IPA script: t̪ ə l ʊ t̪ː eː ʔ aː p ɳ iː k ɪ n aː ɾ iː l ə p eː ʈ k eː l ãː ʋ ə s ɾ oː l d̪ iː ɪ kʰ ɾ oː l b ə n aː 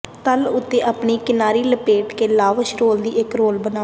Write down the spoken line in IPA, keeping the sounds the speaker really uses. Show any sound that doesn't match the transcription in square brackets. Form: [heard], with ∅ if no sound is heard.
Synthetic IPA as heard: t̪ ə l ʊ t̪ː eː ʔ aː p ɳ iː k ɪ n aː ɾ iː l ə p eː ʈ k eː l [aː] ʋ ə [ʃ] ɾ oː l d̪ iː ɪ [k] ɾ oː l b ə n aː